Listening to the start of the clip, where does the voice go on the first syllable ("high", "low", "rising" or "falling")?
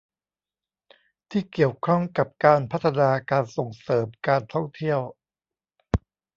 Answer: falling